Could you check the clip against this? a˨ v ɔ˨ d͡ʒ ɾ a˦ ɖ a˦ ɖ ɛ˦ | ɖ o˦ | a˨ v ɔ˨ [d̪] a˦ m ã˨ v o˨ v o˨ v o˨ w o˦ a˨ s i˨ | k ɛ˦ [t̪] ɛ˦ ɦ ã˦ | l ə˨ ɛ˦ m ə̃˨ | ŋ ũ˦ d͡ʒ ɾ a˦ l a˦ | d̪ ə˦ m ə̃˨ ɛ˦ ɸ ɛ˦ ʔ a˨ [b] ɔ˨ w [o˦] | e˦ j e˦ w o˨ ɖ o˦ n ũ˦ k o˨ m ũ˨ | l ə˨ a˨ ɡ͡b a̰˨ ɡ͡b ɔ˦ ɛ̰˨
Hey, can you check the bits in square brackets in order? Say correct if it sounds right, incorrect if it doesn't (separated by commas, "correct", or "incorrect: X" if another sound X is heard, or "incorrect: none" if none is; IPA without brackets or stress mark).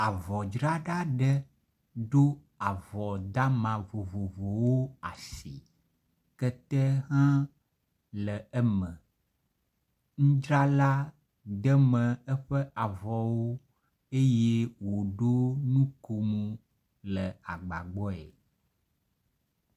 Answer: correct, correct, incorrect: v, correct